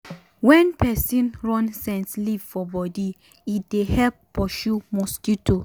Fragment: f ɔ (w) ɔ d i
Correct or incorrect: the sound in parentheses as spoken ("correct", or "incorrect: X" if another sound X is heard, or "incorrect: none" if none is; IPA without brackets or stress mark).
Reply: incorrect: b